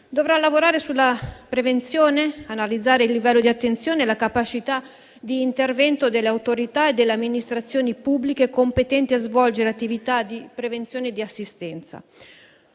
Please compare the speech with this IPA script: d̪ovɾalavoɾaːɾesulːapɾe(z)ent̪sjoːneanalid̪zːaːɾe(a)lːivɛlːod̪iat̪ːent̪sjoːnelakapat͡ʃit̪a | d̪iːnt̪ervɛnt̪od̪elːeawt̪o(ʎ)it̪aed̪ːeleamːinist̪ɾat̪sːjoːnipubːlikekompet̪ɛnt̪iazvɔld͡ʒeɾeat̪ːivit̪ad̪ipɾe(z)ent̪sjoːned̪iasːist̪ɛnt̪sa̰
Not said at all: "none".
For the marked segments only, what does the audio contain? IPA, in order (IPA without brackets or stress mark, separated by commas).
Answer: v, i, ɾ, v